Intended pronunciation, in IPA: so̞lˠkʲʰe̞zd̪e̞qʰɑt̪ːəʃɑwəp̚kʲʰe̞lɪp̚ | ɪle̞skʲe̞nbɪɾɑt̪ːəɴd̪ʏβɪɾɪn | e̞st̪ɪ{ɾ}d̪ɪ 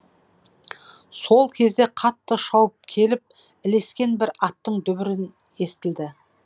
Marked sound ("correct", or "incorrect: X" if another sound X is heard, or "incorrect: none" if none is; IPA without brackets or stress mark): incorrect: l